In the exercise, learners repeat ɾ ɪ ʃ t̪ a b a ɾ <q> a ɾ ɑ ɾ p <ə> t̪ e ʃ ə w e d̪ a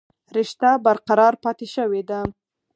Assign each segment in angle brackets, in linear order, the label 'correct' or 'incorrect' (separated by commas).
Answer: correct, incorrect